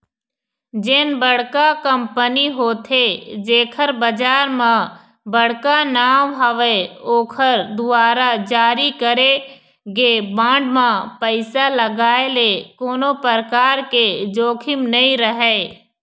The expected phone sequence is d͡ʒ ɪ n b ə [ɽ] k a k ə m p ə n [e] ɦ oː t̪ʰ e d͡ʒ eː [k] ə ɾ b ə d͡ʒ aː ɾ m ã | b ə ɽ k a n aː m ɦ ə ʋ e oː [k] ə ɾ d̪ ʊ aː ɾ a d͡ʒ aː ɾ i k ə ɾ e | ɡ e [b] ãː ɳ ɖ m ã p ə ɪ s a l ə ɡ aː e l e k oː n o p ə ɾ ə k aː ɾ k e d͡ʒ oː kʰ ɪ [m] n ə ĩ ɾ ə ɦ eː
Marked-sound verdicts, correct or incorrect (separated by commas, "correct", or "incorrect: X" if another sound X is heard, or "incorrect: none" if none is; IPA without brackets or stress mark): correct, incorrect: i, incorrect: kʰ, incorrect: kʰ, correct, correct